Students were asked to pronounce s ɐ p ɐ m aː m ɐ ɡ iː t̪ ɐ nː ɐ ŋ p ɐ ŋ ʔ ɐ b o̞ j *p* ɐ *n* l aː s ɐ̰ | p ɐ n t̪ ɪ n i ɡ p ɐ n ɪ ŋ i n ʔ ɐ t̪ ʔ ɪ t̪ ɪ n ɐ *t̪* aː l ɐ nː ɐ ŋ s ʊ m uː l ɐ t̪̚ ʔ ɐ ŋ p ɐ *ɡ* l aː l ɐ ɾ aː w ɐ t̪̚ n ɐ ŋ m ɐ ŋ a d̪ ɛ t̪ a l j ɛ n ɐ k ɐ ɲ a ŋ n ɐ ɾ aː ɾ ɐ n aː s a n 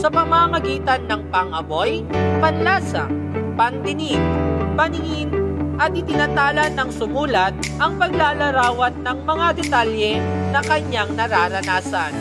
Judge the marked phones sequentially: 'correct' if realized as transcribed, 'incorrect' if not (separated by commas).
correct, correct, correct, correct